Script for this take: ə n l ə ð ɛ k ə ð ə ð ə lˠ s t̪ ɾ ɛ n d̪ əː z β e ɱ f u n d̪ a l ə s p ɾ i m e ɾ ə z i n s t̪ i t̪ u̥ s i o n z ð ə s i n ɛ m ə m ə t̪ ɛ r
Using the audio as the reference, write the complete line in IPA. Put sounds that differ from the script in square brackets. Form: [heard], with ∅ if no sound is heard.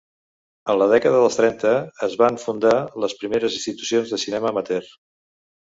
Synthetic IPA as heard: ə n l ə ð ɛ k ə ð ə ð ə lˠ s t̪ ɾ ɛ n [t̪] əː z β [a] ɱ f u n d̪ a l ə s p ɾ i m e ɾ ə z i n s t̪ i t̪ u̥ s i o n z ð ə s i n ɛ m ə m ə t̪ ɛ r